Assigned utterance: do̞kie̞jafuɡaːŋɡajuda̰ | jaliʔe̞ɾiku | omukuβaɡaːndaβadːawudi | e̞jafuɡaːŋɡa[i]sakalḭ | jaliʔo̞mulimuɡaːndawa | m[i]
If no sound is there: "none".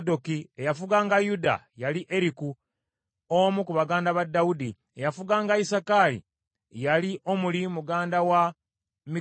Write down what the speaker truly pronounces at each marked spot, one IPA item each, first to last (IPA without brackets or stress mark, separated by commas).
i, i